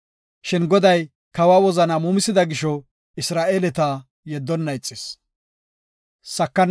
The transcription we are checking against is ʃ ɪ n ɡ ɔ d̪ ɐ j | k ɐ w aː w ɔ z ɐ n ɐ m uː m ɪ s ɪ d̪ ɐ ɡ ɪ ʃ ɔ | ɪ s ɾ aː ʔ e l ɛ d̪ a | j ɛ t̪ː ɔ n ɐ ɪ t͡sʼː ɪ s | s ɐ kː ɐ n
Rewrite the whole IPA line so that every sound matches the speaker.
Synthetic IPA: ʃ ɪ n ɡ ɔ d̪ ɐ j | k ɐ w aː w ɔ z ɐ n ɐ m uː m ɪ s ɪ d̪ ɐ ɡ ɪ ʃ ɔ | ɪ s ɾ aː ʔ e l ɛ t̪ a | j ɛ d̪ː ɔ nː ɐ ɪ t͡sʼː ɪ s | s ɐ kː ɐ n